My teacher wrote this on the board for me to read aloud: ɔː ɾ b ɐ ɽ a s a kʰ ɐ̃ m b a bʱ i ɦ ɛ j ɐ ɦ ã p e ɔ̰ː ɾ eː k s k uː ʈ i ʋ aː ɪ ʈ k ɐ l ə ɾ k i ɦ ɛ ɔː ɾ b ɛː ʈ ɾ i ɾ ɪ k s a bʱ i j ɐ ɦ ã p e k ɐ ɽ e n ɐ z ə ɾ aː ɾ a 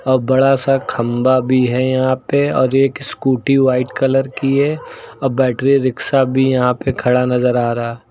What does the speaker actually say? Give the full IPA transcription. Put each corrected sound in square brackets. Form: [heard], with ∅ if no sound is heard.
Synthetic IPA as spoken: ɔː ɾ b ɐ ɽ a s a kʰ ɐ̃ m b a bʱ i ɦ ɛ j ɐ ɦ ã p e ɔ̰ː ɾ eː k s k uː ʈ i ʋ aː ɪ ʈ k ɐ l ə ɾ k i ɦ ɛ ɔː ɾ b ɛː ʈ ɾ i ɾ ɪ k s a bʱ i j ɐ ɦ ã p e [kʰ] ɐ ɽ [a] n ɐ z ə ɾ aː ɾ a